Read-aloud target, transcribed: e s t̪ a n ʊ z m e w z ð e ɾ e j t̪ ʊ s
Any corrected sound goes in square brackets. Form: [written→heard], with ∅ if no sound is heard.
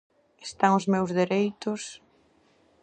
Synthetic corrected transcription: e s t̪ a [n→ŋ] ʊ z m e w z ð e ɾ e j t̪ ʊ s